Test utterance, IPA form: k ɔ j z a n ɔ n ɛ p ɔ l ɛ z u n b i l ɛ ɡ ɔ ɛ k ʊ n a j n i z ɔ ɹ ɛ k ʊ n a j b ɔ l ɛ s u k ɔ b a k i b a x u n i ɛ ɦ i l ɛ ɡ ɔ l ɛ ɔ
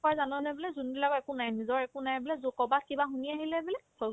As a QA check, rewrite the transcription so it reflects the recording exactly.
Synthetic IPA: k ɔ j z a n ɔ n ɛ b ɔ l ɛ z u n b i l a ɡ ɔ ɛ k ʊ n a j n i z ɔ ɹ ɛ k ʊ n a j b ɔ l ɛ z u k ɔ b a k i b a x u n i a ɦ i l ɛ b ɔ l ɛ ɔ